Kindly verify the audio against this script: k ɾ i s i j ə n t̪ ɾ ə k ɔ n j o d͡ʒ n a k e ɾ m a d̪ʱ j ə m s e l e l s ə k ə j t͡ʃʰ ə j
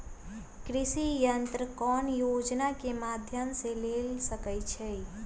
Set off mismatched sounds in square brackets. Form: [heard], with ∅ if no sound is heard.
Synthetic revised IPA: k ɾ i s i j ə n t̪ ɾ ə k ɔ n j o d͡ʒ n a k e [∅] m a d̪ʱ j ə m s e l e l s ə k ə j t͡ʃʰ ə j